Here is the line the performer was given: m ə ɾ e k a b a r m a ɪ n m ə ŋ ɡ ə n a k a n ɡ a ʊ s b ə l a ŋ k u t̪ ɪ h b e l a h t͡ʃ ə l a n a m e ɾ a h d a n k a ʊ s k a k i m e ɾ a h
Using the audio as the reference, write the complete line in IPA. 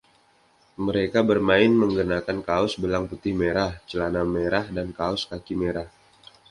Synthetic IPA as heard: m ə ɾ e k a b ə r m a ɪ n m ə ŋ ɡ ə n a k a n k a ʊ s b ə l a ŋ p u t̪ ɪ h m e ɾ a h t͡ʃ ə l a n a m e ɾ a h d a n k a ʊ s k a k i m e ɾ a h